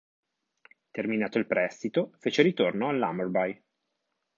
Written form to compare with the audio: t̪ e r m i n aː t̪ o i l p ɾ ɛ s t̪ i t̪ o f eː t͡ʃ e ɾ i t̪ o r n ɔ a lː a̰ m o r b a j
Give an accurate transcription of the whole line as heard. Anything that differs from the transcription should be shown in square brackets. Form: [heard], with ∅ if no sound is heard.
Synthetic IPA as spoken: t̪ e r m i n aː t̪ o i l p ɾ ɛ s t̪ i t̪ o f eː t͡ʃ e ɾ i t̪ o r n [o] a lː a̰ m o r b a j